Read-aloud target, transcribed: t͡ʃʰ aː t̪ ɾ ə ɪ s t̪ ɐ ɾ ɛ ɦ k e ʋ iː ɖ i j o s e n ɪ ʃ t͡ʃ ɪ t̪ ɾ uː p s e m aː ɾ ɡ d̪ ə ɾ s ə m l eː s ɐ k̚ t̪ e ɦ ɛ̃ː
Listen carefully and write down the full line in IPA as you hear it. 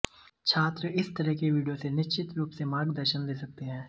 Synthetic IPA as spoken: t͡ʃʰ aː t̪ ɾ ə ɪ s t̪ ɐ ɾ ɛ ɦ k e ʋ iː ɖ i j o s e n ɪ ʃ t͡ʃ ɪ t̪ ɾ uː p s e m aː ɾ ɡ d̪ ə ɾ ʃ ə n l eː s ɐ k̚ t̪ e ɦ ɛ̃ː